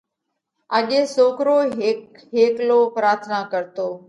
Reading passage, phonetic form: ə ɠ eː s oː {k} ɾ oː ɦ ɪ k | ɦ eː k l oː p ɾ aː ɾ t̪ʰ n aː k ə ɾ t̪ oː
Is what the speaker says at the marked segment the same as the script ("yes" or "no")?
yes